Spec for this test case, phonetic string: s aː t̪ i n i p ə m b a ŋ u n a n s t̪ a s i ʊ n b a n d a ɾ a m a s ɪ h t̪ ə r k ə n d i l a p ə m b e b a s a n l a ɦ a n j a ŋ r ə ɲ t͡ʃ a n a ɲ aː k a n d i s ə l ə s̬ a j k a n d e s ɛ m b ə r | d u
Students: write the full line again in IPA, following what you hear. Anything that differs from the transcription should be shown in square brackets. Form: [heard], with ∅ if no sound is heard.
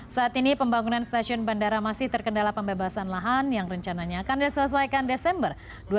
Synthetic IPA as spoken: s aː t̪ i n i p ə m b a ŋ u n a n s t̪ a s i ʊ n b a n d a ɾ a m a s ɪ h t̪ ə r k ə n d [a] l a p ə m b e b a s a n l a ɦ a n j a ŋ r ə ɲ t͡ʃ a n a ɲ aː k a n d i s ə l ə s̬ a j k a n d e s ɛ m b ə r | d u